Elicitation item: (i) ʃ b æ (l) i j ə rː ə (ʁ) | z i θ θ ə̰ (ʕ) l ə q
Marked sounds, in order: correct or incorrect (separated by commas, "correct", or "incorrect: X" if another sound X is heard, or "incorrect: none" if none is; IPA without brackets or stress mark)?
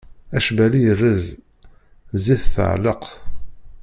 incorrect: æ, correct, incorrect: z, correct